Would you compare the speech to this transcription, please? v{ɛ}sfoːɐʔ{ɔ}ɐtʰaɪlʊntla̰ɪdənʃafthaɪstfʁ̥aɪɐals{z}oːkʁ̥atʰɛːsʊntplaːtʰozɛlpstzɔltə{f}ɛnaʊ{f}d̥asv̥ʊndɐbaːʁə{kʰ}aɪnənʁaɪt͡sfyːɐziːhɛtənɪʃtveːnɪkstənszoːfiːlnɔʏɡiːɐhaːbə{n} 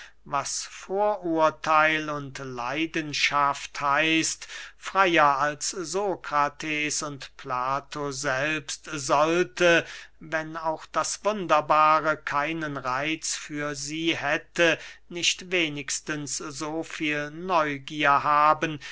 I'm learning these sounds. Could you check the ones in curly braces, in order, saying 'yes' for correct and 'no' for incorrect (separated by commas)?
no, no, yes, no, no, yes, yes